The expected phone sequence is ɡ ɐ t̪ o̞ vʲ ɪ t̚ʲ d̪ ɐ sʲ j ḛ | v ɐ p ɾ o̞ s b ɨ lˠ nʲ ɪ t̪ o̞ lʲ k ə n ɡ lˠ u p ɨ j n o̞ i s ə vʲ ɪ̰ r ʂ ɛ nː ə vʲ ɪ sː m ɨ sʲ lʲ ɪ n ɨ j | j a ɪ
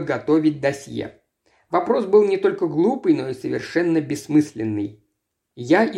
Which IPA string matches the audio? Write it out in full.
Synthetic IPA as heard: ɡ ɐ t̪ o̞ vʲ ɪ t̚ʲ d̪ ɐ sʲ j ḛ | v ɐ p ɾ o̞ s b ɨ lˠ nʲ ɪ t̪ o̞ lʲ k ə ɡ lˠ u p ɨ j n o̞ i s ə vʲ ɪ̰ r ʂ ɛ nː ə bʲ ɪ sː m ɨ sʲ lʲ ɪ nː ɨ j | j a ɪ